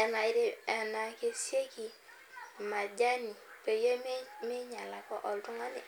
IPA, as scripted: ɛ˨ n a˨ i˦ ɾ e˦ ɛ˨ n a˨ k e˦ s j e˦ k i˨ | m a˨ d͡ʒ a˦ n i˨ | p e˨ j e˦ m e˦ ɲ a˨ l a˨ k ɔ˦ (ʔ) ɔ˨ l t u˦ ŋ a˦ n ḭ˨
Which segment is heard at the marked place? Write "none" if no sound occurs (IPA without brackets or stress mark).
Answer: ʔ